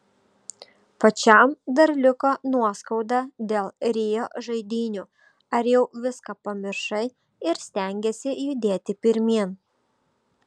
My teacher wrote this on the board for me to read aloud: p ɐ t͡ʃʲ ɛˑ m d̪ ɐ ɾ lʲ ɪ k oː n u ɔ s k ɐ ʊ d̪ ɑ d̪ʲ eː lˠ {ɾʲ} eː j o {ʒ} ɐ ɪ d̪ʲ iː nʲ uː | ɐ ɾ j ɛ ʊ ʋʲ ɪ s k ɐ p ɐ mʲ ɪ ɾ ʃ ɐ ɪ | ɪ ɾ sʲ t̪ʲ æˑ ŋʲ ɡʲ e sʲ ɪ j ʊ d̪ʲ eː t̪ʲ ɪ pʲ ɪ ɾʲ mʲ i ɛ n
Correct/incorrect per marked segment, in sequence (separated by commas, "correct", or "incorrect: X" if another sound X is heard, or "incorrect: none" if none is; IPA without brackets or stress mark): correct, correct